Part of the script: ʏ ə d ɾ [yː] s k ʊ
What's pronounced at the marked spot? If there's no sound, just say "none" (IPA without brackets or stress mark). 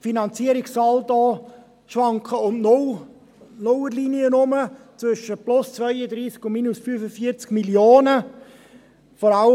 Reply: iː